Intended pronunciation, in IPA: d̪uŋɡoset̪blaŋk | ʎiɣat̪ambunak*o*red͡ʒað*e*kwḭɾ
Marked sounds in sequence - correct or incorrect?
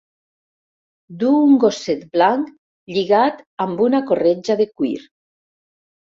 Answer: correct, correct

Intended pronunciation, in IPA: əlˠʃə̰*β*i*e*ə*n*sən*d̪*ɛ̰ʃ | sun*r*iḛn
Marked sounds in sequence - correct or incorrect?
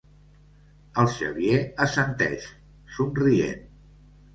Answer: correct, correct, incorrect: none, incorrect: t̪, correct

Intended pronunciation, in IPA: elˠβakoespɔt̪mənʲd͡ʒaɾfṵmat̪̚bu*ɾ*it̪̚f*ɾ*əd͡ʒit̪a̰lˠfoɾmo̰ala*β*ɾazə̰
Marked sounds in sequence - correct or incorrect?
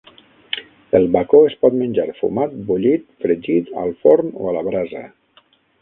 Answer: incorrect: ʎ, correct, correct

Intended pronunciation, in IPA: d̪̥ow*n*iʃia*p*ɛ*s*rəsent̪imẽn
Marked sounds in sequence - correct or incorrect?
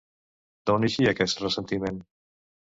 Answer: correct, incorrect: k, correct

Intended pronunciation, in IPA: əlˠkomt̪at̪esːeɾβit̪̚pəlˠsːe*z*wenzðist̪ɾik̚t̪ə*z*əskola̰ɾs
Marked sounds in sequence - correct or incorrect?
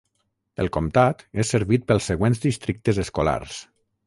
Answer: incorrect: ɣ, correct

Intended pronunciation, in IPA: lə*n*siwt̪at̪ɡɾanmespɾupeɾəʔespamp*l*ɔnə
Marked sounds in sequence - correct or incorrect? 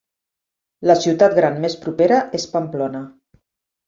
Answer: incorrect: none, correct

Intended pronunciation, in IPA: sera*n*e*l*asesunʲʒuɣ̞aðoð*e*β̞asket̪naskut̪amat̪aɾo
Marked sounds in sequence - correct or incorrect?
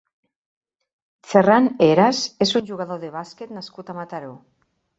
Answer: correct, incorrect: ɾ, correct

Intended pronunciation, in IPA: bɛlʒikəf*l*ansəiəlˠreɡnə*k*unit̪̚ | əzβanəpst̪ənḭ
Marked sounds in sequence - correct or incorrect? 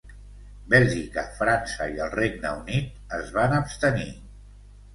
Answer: incorrect: ɾ, incorrect: none

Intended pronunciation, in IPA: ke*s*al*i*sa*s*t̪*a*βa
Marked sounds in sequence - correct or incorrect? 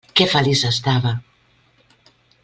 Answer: incorrect: f, correct, correct, correct

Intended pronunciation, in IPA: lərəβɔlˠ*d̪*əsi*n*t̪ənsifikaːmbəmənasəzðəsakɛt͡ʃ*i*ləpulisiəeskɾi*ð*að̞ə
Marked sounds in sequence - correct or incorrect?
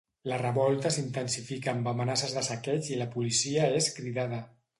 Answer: incorrect: t̪, correct, correct, correct

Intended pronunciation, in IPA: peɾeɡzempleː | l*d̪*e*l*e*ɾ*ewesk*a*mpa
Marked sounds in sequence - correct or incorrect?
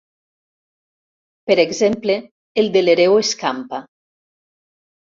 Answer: correct, correct, correct, correct

